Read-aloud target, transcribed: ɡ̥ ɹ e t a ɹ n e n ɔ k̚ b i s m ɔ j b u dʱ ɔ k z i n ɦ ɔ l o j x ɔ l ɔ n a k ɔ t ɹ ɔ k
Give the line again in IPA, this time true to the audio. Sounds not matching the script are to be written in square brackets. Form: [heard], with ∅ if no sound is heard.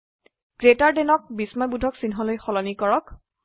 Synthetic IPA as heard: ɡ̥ ɹ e t a ɹ [d] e n ɔ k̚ b i s m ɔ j b u dʱ ɔ k [s] i n ɦ ɔ l o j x ɔ l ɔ n [i] k ɔ [∅] ɹ ɔ k